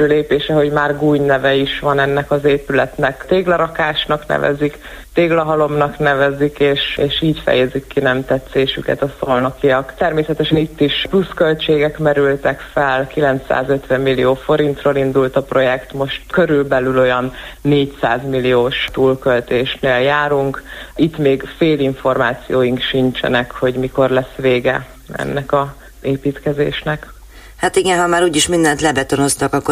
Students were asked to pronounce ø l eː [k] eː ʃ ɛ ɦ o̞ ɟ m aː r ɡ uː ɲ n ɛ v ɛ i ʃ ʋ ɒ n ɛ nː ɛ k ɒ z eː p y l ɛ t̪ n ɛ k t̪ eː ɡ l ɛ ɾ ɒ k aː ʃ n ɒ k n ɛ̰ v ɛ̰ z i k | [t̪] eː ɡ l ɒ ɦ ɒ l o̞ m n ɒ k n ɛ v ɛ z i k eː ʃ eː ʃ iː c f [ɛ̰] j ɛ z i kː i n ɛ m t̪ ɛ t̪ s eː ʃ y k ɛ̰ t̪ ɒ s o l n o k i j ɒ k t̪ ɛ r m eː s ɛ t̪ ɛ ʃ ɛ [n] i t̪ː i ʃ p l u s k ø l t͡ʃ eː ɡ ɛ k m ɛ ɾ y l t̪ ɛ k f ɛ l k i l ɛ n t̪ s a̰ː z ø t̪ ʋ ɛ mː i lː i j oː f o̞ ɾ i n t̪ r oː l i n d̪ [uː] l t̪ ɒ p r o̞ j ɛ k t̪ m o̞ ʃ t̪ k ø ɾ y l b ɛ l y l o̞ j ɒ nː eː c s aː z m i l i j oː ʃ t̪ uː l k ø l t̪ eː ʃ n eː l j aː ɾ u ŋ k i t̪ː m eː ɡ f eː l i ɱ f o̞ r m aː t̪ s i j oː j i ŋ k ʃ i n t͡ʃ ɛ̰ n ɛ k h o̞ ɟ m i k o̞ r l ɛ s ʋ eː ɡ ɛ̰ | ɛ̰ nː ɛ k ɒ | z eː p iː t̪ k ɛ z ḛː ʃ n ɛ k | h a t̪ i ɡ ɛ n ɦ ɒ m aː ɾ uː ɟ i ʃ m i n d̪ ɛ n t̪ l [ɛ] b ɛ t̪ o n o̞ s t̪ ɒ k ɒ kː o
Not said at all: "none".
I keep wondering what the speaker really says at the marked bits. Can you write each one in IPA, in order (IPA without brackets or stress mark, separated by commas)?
p, t̪, ɛ̰, n, u, ɛ